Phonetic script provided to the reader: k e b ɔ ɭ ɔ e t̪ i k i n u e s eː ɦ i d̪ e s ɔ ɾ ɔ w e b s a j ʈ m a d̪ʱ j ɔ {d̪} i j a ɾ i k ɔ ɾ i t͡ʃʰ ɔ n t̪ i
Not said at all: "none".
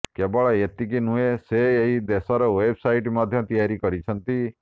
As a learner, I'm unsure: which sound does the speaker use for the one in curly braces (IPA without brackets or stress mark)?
t̪